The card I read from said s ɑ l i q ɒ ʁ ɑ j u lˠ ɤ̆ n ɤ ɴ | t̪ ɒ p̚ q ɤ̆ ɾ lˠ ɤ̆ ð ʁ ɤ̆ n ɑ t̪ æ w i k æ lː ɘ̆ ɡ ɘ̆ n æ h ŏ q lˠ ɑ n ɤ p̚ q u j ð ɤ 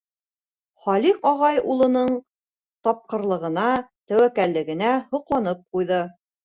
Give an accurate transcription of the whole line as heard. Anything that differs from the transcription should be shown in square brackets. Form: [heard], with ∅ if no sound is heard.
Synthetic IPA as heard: [χ] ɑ l i q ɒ ʁ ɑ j u lˠ ɤ̆ n ɤ ɴ | t̪ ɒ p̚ q ɤ̆ ɾ lˠ ɤ̆ [∅] ʁ ɤ̆ n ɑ t̪ æ w [æ] k æ lː ɘ̆ ɡ ɘ̆ n æ h ŏ q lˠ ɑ n ɤ p̚ q u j ð ɤ